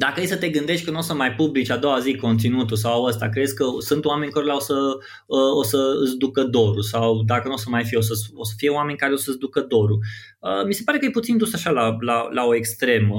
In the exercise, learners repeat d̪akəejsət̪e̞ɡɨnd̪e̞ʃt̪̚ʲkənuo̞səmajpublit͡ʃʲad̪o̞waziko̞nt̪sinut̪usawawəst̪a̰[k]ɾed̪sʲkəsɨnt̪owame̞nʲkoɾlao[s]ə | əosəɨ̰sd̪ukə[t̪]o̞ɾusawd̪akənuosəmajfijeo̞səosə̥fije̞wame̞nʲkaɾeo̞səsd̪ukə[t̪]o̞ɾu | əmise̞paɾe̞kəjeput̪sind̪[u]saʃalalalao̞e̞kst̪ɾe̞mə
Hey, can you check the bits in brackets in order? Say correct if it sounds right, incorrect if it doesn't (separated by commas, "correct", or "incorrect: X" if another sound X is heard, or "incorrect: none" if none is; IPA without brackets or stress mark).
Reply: correct, correct, incorrect: d̪, incorrect: d̪, correct